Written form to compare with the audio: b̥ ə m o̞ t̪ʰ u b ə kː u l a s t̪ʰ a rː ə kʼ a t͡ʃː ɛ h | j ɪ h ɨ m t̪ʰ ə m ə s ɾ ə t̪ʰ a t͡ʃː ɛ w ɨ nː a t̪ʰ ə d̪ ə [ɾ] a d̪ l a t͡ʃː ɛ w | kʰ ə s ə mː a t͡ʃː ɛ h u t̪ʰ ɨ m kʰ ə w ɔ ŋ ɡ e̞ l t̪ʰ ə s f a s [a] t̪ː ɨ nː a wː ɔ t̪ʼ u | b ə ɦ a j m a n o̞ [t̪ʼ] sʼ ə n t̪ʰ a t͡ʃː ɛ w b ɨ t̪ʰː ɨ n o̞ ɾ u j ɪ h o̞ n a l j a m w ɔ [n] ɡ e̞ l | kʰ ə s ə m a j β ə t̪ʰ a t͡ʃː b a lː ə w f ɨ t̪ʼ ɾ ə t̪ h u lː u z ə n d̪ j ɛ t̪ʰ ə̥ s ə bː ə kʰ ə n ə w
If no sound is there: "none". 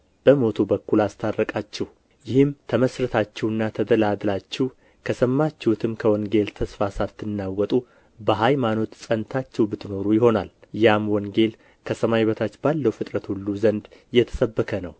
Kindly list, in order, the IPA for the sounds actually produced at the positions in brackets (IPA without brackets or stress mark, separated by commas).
l, a, t̪, ŋ